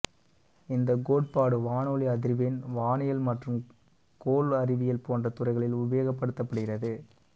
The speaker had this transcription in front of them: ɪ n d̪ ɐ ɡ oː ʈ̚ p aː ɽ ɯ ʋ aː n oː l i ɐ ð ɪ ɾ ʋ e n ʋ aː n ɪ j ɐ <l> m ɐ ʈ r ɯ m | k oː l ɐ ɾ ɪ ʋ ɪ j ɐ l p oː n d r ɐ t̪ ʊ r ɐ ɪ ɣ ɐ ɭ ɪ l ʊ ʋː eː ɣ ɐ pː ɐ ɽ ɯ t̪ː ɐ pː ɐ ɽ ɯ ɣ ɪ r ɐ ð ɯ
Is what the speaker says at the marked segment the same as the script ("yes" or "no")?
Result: yes